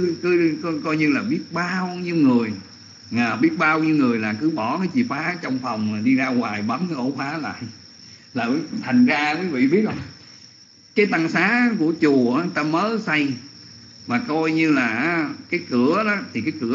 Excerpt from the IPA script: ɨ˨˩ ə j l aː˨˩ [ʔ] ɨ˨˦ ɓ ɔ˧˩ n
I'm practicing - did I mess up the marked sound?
yes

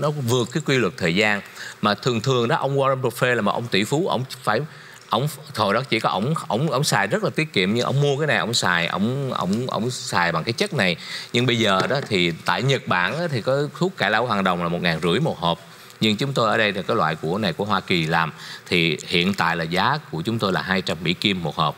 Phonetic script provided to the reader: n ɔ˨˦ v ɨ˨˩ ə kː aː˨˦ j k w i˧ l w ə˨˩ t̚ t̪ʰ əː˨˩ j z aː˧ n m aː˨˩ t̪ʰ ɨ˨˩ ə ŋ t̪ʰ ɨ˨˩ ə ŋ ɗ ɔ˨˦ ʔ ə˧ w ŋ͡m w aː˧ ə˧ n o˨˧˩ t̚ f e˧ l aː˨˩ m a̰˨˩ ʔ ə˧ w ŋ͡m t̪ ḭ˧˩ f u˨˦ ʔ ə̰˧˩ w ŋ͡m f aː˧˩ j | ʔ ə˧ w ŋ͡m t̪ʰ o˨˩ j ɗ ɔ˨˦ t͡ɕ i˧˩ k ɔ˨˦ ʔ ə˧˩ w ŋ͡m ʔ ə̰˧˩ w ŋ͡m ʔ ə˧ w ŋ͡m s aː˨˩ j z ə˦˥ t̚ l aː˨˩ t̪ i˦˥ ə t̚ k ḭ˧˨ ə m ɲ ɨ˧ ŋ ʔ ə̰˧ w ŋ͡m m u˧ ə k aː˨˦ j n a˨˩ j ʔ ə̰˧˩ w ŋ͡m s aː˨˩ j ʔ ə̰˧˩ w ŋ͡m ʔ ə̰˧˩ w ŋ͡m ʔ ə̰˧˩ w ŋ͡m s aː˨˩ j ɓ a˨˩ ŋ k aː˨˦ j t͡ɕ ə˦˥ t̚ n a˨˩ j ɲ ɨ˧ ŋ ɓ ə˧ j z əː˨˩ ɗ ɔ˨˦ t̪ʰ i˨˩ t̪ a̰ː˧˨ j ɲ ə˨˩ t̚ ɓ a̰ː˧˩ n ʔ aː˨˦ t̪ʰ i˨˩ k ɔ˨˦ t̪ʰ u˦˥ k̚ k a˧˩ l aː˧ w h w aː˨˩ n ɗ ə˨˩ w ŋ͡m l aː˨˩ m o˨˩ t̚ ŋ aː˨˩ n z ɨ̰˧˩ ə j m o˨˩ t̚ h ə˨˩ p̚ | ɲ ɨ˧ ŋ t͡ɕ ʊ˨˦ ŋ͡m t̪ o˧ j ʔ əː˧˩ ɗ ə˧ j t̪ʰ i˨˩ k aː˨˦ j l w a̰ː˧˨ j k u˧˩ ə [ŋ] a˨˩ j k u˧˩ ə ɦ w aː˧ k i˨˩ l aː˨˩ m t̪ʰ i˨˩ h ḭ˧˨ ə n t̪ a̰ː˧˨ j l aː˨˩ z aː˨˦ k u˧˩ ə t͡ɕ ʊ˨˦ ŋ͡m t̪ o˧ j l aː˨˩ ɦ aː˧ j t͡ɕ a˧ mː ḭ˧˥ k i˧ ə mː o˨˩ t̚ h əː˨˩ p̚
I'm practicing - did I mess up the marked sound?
yes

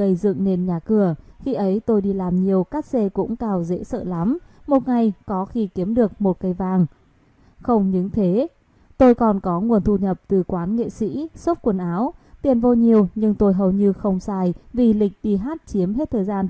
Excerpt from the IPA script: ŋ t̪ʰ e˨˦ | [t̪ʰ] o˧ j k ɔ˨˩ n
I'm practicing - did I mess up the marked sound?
yes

